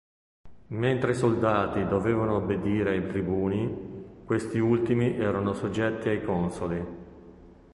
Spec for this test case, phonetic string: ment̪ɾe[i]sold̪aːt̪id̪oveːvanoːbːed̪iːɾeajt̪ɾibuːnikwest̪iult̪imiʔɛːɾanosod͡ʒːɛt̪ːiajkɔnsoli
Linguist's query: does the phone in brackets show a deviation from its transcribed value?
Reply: no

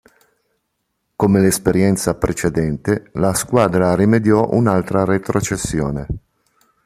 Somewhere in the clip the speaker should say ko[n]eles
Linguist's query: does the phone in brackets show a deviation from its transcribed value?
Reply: yes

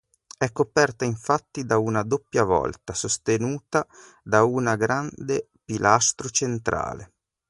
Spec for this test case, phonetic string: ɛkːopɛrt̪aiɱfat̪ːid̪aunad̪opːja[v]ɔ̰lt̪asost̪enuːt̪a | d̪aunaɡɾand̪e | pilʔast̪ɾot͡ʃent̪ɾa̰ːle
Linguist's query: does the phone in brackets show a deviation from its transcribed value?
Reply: no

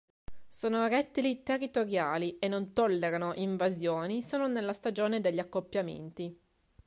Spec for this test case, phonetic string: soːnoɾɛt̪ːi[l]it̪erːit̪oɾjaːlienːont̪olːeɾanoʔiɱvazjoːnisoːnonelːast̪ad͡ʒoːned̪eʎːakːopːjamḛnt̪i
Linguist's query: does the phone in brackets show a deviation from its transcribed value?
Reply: no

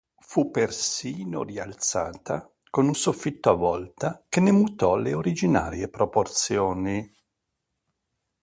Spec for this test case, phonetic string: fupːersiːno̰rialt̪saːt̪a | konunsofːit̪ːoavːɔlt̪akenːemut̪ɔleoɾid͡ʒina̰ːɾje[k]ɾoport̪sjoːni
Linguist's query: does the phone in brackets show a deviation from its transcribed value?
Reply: yes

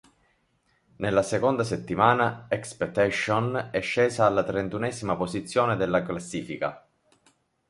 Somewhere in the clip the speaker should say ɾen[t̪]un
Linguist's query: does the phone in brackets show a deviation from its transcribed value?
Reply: no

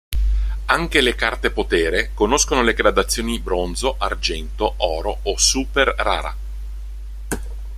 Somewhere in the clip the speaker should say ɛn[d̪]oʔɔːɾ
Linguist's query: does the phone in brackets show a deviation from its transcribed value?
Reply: yes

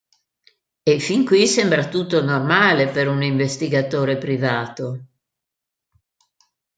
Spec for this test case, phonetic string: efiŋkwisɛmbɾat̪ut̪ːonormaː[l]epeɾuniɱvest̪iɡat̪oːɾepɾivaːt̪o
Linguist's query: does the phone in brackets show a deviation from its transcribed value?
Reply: no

